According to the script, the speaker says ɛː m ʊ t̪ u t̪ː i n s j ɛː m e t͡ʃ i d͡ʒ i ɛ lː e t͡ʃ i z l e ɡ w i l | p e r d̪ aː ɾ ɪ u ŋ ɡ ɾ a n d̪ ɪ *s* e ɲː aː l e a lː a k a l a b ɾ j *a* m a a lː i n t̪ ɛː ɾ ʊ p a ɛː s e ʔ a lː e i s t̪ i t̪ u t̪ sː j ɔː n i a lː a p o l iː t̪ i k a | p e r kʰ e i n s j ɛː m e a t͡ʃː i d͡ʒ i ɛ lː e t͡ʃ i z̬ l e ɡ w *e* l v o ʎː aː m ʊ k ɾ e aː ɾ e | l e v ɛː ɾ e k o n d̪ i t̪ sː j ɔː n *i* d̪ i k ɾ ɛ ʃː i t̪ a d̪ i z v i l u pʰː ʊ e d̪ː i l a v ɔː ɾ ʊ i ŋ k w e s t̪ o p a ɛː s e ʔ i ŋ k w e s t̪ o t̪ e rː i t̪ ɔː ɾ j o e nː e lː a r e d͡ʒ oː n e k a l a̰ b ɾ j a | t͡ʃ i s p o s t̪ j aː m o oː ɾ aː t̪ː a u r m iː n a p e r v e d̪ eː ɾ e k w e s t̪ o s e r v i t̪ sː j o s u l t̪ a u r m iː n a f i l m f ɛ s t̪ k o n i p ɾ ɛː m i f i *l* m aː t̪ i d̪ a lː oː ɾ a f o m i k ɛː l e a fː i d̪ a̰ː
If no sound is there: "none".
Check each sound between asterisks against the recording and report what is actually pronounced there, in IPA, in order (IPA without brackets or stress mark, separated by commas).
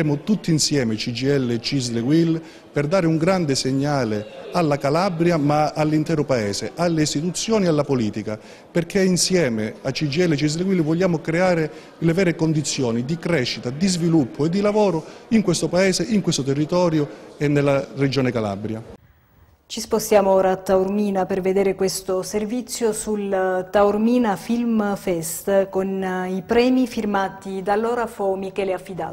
s, a, i, i, r